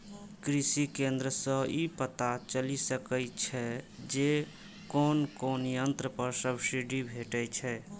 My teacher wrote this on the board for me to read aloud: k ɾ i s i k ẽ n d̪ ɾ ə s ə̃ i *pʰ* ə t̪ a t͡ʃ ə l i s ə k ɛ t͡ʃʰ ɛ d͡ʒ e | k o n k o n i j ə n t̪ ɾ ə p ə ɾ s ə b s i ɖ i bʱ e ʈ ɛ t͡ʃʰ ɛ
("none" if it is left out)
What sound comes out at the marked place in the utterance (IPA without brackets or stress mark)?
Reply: p